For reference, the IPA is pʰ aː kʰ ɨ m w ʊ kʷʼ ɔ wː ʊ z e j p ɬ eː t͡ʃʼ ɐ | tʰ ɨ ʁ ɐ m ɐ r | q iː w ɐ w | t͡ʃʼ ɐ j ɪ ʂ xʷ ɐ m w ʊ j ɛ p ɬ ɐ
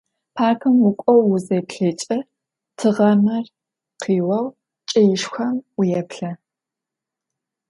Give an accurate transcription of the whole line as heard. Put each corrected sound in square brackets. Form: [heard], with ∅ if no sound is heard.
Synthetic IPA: pʰ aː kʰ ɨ m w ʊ kʷʼ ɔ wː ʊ z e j p ɬ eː t͡ʃʼ ɐ | tʰ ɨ ʁ ɐ m ɐ r | q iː w ɐ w | t͡ʃʼ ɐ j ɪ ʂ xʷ ɐ m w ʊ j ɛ p ɬ ɐ